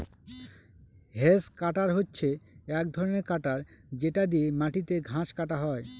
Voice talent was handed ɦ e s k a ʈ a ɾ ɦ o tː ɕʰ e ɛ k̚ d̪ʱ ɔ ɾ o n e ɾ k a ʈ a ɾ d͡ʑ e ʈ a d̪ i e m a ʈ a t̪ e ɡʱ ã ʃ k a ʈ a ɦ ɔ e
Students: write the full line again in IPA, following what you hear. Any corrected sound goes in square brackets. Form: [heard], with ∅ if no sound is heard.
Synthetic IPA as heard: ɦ e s k a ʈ a ɾ ɦ o tː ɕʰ e ɛ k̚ d̪ʱ ɔ ɾ o n e ɾ k a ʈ a ɾ d͡ʑ e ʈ a d̪ i e m a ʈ [i] t̪ e ɡʱ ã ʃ k a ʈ a ɦ ɔ e